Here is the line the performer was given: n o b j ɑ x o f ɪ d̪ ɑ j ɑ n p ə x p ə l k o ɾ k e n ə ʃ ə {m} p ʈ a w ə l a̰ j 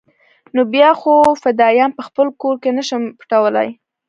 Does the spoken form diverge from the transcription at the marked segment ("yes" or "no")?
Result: no